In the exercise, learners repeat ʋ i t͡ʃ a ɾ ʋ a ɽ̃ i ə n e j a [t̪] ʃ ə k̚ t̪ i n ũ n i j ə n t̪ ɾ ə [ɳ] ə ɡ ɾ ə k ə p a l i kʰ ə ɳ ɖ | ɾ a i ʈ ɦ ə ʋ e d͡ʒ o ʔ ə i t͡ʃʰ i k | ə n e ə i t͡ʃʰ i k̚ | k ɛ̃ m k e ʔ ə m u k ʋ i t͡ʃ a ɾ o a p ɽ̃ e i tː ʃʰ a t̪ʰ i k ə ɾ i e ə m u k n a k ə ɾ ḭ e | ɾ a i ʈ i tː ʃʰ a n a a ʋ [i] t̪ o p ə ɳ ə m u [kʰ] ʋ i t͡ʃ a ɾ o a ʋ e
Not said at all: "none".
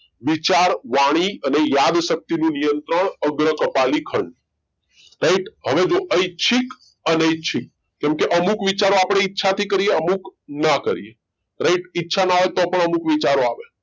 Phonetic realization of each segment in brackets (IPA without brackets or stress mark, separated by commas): d̪, ɳ, e, k